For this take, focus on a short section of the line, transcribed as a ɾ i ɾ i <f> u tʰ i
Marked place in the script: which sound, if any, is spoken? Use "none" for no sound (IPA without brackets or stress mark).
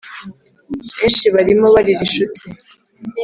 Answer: ʃ